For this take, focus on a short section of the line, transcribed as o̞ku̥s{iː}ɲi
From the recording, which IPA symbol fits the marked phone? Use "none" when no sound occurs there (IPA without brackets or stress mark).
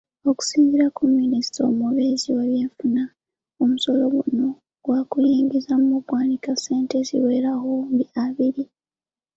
iː